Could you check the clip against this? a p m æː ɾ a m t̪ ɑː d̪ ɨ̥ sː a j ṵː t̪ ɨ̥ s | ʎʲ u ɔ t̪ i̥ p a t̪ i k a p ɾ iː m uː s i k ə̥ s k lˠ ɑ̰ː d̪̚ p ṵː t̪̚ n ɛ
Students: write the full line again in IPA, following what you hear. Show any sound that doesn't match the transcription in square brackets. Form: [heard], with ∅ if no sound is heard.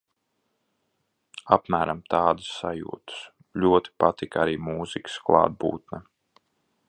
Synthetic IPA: a p m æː ɾ a m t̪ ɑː d̪ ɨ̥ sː a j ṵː t̪ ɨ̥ s | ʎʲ u ɔ t̪ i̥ p a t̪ i k a [∅] ɾ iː m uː [z] i k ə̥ s k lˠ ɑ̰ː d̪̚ [b] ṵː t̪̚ n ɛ